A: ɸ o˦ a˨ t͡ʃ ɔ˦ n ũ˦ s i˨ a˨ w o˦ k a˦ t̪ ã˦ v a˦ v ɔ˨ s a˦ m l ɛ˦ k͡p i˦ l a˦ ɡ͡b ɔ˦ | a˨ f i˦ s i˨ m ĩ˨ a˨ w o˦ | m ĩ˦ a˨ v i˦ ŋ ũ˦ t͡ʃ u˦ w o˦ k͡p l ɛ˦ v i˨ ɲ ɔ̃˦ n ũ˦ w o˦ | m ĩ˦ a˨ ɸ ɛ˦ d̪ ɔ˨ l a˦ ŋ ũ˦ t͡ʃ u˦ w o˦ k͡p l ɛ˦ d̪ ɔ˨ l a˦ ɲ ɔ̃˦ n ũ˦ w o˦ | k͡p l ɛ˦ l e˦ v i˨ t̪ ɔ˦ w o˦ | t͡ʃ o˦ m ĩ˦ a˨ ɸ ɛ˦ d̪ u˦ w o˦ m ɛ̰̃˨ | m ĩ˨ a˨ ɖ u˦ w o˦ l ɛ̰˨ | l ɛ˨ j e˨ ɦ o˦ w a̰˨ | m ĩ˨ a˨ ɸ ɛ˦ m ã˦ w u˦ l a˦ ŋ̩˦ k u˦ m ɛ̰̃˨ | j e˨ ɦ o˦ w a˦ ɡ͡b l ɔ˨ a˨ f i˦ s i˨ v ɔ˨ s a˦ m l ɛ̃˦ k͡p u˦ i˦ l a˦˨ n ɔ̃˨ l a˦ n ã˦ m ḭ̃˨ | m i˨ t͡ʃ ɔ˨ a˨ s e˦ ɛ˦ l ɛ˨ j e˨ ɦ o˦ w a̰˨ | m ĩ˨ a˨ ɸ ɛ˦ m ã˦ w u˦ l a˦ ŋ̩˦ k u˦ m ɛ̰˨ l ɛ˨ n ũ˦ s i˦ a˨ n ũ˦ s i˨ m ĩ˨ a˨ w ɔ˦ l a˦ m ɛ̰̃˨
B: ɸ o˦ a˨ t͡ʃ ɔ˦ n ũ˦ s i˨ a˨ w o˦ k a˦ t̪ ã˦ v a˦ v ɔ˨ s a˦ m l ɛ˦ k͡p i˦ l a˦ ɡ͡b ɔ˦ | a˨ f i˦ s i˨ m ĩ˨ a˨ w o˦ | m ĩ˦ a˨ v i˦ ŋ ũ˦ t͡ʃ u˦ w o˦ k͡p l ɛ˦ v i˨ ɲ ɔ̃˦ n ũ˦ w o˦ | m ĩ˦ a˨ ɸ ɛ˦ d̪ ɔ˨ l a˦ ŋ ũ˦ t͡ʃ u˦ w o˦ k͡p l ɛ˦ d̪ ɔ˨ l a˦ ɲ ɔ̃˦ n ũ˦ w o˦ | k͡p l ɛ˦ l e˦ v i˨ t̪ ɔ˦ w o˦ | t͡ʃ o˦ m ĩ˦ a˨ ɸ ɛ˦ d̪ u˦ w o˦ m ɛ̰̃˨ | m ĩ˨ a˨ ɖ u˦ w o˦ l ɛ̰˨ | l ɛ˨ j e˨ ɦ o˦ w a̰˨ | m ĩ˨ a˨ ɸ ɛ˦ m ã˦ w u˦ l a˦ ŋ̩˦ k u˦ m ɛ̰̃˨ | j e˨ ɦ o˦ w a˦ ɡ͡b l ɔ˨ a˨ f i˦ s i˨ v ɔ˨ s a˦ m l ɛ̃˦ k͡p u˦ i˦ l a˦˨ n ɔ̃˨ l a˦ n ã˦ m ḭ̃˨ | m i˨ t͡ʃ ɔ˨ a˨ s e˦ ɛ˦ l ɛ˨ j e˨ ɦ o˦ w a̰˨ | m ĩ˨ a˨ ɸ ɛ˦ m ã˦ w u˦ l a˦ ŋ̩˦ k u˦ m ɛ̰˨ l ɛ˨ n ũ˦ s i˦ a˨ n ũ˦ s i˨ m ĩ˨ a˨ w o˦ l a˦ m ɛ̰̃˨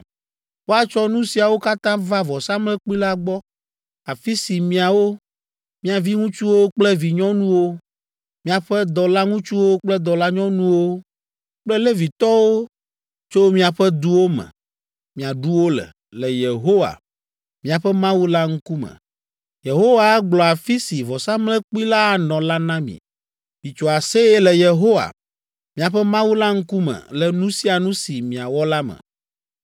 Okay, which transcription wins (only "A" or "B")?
A